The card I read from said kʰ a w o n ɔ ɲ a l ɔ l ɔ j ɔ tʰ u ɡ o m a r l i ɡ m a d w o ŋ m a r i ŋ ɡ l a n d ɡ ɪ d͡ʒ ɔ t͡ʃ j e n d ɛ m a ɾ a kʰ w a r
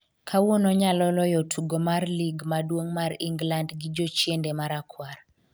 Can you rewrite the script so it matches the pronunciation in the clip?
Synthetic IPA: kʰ a w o n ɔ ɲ a l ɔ l ɔ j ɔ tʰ u ɡ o m a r l i ɡ m a d w o ŋ m a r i ŋ ɡ l a n d ɡ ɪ d͡ʒ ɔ t͡ʃ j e n d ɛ m a ɾ a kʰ w a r

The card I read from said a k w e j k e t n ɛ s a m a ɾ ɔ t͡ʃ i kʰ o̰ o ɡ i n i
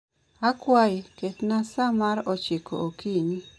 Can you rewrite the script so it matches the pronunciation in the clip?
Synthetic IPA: a k w a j k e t n a s a m a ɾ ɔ t͡ʃ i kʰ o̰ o k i n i

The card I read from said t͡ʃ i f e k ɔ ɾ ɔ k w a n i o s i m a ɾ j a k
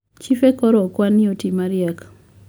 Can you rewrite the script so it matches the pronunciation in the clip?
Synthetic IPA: t͡ʃ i f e k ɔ ɾ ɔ k w a n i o t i m a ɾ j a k

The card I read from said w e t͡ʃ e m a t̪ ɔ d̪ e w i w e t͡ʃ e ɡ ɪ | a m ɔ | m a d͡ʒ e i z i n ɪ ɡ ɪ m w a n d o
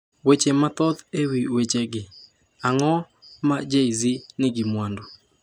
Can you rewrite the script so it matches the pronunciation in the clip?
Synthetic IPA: w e t͡ʃ e m a t̪ ɔ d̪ e w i w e t͡ʃ e ɡ ɪ | a ŋ ɔ | m a d͡ʒ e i z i n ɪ ɡ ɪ m w a n d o

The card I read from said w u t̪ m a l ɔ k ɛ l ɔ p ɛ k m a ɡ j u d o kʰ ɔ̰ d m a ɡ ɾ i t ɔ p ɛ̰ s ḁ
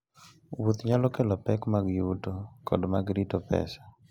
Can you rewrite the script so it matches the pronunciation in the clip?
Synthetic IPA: w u t̪ ɲ a l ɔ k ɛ l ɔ p ɛ k m a ɡ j u t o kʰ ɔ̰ d m a ɡ ɾ i t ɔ p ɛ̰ s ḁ

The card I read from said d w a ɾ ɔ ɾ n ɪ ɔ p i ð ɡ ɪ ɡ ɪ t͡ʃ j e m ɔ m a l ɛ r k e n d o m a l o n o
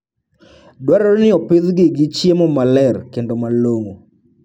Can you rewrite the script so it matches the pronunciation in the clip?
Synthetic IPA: d w a ɾ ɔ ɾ n ɪ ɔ p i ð ɡ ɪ ɡ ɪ t͡ʃ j e m ɔ m a l ɛ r k e n d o m a l o ŋ o

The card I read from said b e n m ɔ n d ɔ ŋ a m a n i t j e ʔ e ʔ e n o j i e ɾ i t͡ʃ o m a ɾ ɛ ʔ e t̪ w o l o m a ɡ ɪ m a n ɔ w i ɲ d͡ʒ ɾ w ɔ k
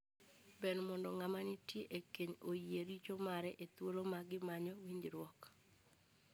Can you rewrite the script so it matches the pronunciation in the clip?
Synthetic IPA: b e n m ɔ n d ɔ ŋ a m a n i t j e ʔ e k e ɲ o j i e ɾ i t͡ʃ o m a ɾ ɛ ʔ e t̪ w o l o m a ɡ ɪ m a ɲ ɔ w i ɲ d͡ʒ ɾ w ɔ k

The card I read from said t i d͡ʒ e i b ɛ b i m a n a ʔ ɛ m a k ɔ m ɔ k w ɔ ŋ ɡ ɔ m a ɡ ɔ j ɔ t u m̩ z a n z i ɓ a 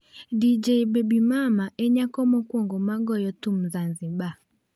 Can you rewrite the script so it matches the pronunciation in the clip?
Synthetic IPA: d i d͡ʒ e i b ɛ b i m a m a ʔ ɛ ɲ a k ɔ m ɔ k w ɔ ŋ ɡ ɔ m a ɡ ɔ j ɔ t u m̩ z a n z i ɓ a

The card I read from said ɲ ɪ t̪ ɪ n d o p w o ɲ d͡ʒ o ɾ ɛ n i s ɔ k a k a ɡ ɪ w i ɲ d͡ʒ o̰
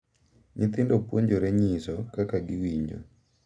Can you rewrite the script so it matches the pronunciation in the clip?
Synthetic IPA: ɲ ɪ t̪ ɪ n d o p w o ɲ d͡ʒ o ɾ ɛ ɲ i s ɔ k a k a ɡ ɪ w i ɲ d͡ʒ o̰

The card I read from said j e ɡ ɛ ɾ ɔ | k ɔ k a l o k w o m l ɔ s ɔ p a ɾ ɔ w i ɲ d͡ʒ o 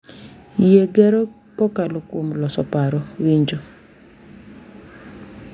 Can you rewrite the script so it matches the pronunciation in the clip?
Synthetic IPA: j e ɡ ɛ ɾ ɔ | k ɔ k a l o k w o m l ɔ s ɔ p a ɾ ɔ w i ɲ d͡ʒ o

